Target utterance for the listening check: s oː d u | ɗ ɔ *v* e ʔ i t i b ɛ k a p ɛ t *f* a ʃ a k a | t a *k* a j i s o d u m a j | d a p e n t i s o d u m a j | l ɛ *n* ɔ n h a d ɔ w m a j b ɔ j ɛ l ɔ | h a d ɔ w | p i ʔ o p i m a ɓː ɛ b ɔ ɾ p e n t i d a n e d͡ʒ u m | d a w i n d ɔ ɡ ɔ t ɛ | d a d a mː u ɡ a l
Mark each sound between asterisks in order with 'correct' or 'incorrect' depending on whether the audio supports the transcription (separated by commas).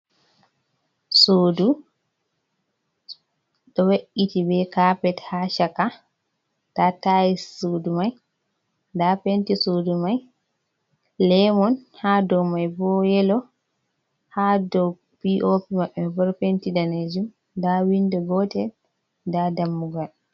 incorrect, incorrect, incorrect, incorrect